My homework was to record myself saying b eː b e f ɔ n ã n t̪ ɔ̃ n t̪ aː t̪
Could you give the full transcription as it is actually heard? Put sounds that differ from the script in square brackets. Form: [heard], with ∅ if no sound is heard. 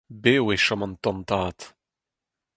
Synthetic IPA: b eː [w] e [ʃ] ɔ [m] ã n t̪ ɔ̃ n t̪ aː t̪